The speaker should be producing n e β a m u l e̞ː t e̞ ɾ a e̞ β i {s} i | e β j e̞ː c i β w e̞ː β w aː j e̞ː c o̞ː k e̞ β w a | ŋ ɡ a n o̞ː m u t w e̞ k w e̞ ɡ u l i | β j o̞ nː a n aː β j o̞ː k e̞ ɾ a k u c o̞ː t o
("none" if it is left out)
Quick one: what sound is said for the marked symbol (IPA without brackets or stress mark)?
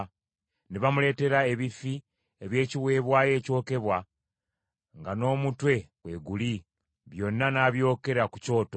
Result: f